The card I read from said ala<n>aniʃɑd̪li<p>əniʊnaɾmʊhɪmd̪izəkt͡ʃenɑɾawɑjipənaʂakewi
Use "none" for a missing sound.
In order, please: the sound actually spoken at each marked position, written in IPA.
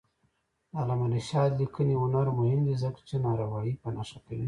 m, k

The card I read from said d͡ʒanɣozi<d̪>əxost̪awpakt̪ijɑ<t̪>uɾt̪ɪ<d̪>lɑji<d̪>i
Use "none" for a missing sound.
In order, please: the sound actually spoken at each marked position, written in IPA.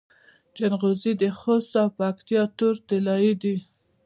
d̪, t̪, none, d̪

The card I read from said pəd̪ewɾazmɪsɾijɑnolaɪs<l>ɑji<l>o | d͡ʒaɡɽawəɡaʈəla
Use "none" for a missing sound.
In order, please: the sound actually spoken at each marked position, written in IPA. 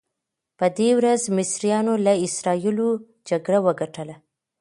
ɾ, l

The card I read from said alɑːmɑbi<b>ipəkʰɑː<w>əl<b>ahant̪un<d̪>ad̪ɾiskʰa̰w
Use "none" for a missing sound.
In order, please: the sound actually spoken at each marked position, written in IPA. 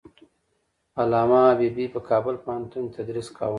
b, b, p, t̪

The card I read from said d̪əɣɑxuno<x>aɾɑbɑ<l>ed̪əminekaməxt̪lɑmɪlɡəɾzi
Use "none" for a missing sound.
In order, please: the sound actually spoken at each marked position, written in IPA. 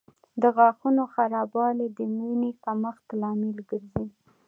x, l

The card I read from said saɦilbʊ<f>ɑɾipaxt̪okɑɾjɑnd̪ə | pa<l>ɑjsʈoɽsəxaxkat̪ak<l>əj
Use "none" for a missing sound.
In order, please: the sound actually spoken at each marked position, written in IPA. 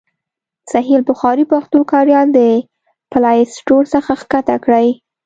x, l, ɽ

